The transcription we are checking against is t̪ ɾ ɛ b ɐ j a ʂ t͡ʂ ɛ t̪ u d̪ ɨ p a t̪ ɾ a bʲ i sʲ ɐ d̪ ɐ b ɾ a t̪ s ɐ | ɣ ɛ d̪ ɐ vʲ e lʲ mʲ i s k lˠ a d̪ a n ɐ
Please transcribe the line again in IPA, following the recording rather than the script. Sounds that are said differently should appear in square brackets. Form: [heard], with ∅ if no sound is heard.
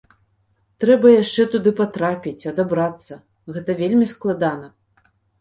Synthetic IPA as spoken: t̪ ɾ ɛ b ɐ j a ʂ t͡ʂ ɛ t̪ u d̪ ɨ p a t̪ ɾ a [pʲ] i [t͡sʲ] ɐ d̪ [a] b ɾ a t̪ [sː] ɐ | ɣ ɛ [t̪] ɐ vʲ e lʲ mʲ i s k lˠ a d̪ a n ɐ